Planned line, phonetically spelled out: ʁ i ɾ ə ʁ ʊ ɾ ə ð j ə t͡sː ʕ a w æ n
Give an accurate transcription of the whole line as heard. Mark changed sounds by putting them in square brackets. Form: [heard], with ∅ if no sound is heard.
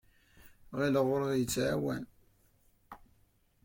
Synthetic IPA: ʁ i [l] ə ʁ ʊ ɾ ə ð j ə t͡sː ʕ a w æ n